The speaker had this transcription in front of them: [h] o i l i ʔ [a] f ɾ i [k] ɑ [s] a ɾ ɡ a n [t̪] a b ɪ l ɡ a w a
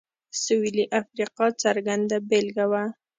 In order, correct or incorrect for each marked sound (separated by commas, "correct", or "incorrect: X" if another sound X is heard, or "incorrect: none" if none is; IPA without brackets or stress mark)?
incorrect: s, correct, incorrect: q, incorrect: t͡s, incorrect: d̪